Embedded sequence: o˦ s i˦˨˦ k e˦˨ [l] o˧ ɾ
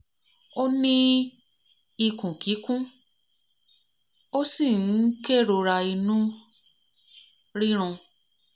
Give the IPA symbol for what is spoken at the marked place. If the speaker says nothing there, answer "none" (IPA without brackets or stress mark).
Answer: ɾ